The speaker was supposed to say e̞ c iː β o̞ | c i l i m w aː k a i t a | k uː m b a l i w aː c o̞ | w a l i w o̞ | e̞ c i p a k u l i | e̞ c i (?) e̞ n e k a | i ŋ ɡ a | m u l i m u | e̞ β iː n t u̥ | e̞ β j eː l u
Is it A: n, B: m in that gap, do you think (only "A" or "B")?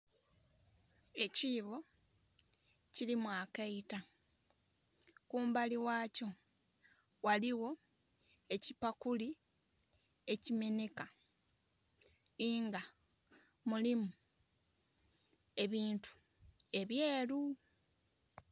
B